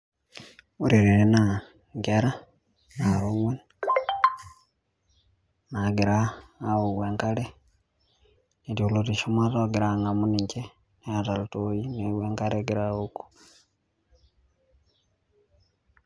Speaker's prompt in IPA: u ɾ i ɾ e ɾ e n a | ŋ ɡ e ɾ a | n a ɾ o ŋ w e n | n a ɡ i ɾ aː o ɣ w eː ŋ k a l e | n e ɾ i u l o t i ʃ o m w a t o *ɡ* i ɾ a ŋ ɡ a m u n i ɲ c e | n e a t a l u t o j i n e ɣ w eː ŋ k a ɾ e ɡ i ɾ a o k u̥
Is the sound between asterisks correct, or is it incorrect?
correct